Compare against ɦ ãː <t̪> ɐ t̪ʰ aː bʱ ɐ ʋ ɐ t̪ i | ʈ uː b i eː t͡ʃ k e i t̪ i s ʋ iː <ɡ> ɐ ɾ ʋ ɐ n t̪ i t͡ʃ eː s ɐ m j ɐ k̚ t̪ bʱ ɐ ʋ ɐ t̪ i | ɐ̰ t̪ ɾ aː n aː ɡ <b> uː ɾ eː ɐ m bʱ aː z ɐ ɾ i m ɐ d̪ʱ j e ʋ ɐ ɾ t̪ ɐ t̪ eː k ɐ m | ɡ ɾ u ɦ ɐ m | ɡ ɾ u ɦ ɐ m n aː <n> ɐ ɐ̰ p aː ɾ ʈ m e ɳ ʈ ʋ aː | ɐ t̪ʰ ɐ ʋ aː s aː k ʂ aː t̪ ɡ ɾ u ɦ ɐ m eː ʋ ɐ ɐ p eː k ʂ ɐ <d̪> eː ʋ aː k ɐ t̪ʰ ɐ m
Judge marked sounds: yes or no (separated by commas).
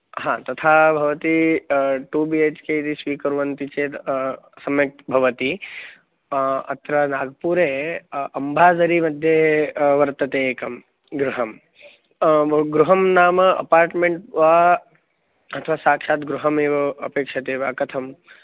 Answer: yes, no, no, no, no